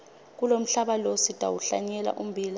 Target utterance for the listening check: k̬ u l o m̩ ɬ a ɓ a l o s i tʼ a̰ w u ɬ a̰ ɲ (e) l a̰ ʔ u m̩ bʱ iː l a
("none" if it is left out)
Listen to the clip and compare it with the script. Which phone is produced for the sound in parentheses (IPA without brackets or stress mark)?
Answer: ɛ